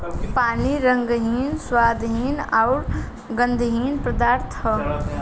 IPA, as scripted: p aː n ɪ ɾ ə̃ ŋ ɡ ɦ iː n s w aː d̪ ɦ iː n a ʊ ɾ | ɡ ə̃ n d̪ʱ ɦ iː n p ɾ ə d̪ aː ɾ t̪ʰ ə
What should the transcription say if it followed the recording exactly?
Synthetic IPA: p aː n i ɾ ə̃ ŋ ɡ ɦ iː n s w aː d̪ ɦ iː n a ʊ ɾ | ɡ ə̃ n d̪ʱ ɦ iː n p ɾ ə d̪ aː ɾ t̪ʰ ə